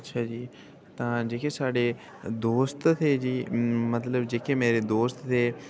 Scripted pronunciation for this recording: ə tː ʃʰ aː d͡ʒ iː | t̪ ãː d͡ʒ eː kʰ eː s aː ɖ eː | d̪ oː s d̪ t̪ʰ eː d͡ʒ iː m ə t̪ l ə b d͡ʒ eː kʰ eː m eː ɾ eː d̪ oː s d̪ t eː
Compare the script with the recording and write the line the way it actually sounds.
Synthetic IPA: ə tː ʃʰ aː d͡ʒ iː | t̪ ãː d͡ʒ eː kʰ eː s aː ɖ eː | d̪ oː s t̪ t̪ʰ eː d͡ʒ iː m ə t̪ l ə b d͡ʒ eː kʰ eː m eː ɾ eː d̪ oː s t̪ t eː